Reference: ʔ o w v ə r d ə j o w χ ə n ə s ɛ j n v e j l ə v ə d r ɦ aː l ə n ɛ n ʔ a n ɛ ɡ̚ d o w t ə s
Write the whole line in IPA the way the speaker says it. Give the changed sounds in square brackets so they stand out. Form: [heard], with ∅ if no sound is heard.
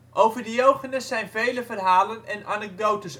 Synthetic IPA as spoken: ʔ o w v ə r d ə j o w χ ə n ə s ɛ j n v e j l ə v ə [∅] r ɦ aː l ə n ɛ n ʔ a n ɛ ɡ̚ d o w t ə s